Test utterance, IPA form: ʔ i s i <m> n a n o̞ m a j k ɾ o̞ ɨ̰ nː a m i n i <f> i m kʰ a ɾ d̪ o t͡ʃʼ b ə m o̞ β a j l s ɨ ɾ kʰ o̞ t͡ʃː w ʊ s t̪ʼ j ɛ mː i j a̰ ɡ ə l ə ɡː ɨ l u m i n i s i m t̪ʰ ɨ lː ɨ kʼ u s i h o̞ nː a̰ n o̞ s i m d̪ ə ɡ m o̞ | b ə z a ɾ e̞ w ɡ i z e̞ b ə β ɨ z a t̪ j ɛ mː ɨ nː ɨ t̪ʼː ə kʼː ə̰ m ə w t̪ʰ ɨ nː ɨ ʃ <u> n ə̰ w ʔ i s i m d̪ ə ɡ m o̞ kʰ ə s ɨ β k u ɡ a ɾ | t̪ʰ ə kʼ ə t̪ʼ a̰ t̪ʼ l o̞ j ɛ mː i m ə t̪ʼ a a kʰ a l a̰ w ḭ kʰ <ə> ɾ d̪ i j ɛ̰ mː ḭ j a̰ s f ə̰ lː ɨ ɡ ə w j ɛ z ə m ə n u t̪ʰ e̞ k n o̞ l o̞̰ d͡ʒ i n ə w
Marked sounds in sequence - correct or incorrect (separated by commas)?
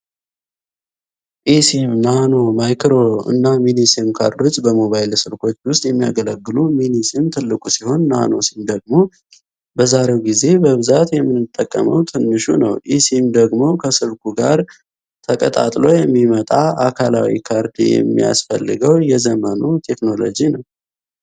correct, incorrect, correct, incorrect